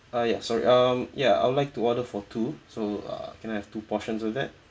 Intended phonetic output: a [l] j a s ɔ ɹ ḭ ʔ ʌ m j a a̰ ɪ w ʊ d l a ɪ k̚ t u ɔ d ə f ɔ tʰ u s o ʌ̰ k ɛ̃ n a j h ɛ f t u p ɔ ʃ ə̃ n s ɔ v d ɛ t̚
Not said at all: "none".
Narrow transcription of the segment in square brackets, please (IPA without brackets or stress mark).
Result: none